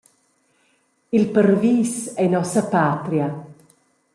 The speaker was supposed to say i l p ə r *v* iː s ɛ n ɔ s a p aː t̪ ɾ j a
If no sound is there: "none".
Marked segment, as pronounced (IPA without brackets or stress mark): v